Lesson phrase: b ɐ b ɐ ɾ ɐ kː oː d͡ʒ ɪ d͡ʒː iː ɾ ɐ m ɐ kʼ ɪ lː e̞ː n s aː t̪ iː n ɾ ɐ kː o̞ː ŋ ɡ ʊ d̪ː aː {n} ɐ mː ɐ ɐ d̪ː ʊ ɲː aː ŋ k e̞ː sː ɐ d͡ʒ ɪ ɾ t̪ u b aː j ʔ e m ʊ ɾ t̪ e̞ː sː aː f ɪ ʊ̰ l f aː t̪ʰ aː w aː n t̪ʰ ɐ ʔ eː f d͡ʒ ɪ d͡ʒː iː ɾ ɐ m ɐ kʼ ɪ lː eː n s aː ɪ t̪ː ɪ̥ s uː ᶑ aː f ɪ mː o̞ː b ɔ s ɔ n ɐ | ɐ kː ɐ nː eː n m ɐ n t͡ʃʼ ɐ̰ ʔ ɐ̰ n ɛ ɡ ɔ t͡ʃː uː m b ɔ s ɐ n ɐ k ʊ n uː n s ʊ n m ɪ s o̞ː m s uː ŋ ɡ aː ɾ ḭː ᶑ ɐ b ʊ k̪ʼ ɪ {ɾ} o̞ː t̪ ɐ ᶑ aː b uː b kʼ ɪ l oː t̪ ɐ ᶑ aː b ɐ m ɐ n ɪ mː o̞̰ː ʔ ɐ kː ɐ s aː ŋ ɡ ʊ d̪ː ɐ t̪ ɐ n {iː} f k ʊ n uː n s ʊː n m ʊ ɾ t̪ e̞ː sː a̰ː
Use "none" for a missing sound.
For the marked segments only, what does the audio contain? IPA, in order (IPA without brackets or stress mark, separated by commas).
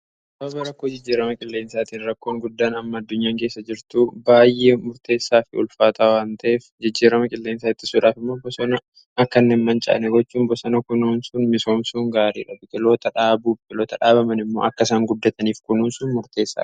n, l, iː